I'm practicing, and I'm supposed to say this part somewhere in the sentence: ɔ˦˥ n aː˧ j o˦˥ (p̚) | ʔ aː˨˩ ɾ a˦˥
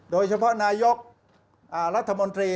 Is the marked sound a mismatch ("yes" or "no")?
yes